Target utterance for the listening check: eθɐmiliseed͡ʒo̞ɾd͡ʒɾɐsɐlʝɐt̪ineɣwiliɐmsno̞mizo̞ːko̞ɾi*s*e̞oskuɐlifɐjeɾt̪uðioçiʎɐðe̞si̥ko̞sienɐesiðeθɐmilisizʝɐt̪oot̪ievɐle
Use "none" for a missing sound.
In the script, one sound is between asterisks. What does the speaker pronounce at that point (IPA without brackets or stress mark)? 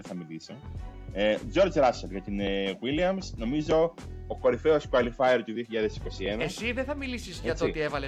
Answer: f